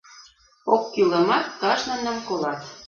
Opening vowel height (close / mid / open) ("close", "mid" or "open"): mid